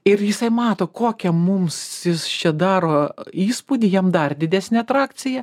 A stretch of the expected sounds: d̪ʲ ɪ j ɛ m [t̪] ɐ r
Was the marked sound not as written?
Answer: yes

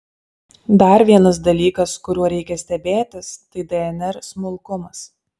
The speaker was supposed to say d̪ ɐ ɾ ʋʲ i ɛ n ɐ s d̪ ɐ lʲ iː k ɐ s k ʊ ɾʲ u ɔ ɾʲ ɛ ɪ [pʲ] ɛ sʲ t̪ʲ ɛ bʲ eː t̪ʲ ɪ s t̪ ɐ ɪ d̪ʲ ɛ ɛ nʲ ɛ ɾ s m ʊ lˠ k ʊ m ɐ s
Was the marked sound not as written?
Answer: yes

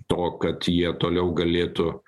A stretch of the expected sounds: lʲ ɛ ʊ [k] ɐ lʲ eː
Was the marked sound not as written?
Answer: yes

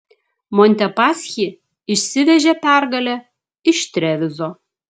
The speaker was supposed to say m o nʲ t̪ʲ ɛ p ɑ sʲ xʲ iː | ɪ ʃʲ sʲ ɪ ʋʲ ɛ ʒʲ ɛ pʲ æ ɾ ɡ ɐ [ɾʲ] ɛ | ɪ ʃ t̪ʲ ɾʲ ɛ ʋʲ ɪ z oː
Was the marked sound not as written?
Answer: yes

